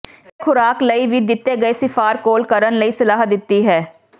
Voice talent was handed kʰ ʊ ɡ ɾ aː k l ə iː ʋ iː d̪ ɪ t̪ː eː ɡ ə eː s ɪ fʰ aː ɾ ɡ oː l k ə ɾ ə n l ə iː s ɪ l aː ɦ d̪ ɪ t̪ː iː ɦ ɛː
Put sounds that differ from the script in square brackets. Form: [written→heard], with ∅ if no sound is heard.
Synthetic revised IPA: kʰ ʊ [ɡ→∅] ɾ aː k l ə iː ʋ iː d̪ ɪ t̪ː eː ɡ ə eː s ɪ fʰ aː ɾ [ɡ→k] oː l k ə ɾ ə n l ə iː s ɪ l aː ɦ d̪ ɪ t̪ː iː ɦ ɛː